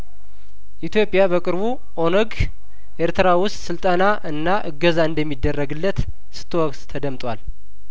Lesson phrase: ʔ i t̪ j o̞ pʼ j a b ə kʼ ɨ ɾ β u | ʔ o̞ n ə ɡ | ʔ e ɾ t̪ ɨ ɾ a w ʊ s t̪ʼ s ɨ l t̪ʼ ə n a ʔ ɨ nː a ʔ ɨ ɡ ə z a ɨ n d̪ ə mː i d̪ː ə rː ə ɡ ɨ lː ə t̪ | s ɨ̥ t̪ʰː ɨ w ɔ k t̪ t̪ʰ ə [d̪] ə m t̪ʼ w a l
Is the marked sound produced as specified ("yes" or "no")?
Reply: yes